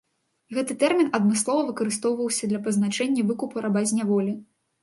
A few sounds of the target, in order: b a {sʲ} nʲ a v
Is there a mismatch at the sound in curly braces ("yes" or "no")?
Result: yes